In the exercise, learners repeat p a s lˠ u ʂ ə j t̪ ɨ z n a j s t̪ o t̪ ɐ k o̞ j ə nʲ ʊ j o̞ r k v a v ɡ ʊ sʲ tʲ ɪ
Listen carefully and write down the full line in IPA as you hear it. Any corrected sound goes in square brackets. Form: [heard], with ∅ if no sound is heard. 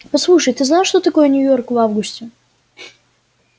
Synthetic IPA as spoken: p [ɐ] s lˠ u ʂ ə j t̪ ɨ z n a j [ʂ] t̪ o t̪ ɐ k o̞ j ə nʲ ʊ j o̞ r k v a v ɡ ʊ sʲ tʲ ɪ